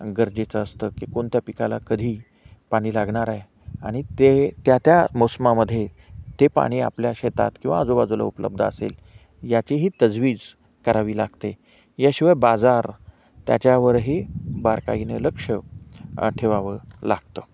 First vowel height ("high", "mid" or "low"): mid